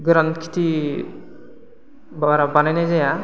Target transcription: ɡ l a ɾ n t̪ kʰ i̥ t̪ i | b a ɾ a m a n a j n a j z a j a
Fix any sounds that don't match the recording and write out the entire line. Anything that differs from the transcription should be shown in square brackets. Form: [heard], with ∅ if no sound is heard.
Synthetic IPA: ɡ [ɾ] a [∅] n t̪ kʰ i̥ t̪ i | b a ɾ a [b] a n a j n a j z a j a